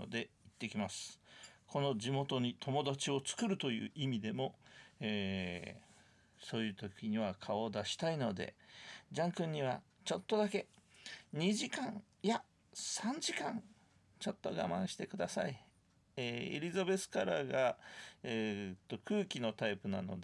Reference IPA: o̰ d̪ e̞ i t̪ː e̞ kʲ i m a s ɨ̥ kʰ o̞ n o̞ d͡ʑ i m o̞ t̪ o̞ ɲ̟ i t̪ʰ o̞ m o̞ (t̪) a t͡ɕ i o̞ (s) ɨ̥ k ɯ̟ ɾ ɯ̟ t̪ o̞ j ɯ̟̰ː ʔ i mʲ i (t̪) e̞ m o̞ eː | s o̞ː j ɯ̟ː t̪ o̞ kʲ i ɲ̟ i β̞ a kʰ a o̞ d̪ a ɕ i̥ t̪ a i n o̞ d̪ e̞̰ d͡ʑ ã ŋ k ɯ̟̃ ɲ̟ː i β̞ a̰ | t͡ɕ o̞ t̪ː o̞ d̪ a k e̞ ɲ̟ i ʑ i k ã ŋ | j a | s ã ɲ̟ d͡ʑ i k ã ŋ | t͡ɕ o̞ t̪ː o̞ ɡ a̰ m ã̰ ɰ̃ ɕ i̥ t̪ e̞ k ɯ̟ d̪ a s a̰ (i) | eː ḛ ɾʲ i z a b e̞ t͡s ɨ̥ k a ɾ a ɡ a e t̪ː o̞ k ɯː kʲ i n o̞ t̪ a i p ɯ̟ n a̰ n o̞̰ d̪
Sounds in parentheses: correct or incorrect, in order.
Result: incorrect: d̪, incorrect: t͡s, incorrect: d̪, correct

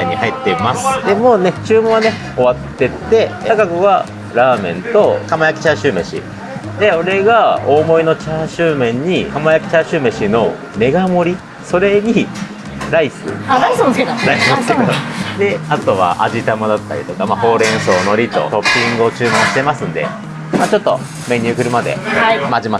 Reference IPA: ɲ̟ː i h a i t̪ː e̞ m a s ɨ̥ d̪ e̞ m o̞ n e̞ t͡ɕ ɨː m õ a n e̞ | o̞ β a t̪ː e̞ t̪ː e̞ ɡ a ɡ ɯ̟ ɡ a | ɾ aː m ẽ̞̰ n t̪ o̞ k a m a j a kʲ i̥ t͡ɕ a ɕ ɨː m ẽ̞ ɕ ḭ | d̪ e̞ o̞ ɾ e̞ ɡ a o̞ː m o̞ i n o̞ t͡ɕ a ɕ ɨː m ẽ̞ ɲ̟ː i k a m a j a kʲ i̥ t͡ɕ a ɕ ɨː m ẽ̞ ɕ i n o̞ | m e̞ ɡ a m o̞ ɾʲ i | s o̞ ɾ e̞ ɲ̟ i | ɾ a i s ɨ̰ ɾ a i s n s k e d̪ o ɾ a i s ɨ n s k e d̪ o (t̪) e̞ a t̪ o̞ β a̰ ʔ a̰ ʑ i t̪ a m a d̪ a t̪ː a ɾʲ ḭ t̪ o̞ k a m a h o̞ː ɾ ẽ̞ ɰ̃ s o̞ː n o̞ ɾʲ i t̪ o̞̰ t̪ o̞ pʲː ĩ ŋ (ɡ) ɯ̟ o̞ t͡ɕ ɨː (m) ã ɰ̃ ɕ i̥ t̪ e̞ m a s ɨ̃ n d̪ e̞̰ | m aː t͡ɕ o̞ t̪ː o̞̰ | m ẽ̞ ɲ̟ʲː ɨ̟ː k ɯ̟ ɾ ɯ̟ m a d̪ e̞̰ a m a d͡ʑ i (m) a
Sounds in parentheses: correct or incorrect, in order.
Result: incorrect: d̪, correct, correct, correct

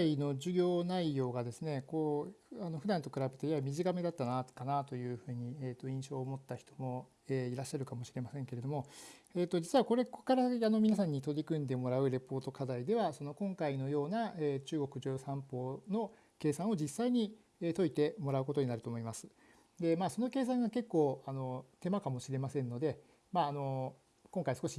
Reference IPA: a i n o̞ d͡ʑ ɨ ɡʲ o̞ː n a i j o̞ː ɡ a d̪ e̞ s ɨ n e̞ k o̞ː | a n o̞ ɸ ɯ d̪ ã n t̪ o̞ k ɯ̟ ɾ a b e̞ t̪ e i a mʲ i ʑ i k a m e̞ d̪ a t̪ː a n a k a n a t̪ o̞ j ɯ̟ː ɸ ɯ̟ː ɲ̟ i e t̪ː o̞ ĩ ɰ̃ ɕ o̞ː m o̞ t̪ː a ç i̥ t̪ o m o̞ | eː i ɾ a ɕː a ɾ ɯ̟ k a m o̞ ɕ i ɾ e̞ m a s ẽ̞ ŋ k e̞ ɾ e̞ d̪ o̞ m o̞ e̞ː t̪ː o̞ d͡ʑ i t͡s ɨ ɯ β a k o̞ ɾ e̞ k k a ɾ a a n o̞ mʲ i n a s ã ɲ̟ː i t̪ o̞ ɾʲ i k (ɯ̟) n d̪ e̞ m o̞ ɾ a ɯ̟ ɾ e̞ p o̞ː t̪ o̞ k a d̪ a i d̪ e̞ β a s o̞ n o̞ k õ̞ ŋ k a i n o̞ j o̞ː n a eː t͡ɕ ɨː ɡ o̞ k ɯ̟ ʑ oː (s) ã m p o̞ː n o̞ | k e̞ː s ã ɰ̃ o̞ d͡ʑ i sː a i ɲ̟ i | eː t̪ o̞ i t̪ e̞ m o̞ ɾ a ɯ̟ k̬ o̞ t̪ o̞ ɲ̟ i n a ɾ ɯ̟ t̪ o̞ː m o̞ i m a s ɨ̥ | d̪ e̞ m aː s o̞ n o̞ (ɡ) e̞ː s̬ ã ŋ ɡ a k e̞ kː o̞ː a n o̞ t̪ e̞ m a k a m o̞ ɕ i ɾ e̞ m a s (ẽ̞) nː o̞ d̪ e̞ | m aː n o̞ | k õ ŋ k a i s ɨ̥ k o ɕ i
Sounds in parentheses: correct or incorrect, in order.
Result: incorrect: ɯ̟̃, correct, incorrect: k, correct

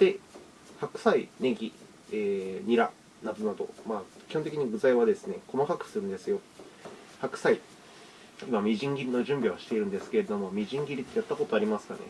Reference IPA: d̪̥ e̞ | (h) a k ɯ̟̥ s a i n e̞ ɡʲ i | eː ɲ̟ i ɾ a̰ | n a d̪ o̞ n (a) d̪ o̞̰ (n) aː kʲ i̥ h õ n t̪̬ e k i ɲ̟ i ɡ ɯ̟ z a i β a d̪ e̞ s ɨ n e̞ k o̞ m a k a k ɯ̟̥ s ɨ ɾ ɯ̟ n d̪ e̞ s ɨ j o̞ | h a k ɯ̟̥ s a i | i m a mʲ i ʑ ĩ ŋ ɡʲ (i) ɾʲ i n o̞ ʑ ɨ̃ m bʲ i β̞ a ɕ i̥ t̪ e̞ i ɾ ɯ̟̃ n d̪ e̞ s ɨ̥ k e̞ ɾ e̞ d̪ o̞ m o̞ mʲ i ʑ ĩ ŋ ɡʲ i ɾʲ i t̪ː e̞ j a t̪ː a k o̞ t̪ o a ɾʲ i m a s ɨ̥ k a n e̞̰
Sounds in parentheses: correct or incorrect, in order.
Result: correct, correct, incorrect: m, correct

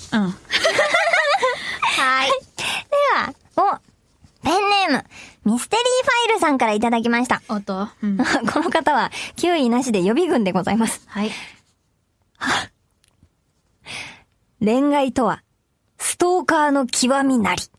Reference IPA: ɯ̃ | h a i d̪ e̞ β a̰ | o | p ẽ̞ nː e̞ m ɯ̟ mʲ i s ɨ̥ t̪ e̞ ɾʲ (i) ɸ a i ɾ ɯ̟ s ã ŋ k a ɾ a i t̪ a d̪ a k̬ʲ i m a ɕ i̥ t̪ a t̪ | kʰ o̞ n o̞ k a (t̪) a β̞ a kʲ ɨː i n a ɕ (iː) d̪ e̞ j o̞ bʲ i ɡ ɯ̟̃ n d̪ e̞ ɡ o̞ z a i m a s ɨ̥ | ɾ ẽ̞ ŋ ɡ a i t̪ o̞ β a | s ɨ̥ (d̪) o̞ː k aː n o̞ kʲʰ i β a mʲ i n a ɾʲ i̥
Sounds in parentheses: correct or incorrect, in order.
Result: incorrect: iː, correct, incorrect: i, incorrect: t̪

